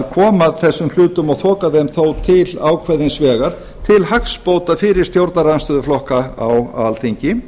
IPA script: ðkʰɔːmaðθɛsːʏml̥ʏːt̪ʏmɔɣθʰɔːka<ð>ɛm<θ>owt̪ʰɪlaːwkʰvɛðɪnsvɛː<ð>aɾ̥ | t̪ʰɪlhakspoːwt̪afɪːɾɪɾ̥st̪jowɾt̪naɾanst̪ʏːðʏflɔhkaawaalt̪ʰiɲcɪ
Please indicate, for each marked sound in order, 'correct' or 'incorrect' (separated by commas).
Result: correct, correct, incorrect